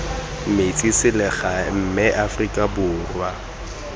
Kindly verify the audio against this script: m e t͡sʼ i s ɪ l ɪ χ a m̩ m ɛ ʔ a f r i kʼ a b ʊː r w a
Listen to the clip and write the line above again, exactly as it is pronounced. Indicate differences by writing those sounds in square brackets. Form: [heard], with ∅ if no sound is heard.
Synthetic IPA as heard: m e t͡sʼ i s ɪ l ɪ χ a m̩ m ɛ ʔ a f r i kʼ a b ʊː r w a